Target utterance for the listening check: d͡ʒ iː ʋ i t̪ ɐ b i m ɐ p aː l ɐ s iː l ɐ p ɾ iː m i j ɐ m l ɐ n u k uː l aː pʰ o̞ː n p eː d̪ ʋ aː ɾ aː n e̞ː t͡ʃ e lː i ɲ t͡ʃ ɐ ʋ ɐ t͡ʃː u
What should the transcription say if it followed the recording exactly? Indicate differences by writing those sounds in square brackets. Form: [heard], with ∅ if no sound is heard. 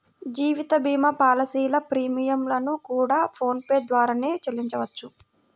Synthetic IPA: d͡ʒ iː ʋ i t̪ ɐ b [iː] m ɐ p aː l ɐ s iː l ɐ p ɾ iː m i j ɐ m l ɐ n u k uː [ɽ] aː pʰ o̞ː n p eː d̪ ʋ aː ɾ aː n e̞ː t͡ʃ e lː i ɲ t͡ʃ ɐ ʋ ɐ t͡ʃː u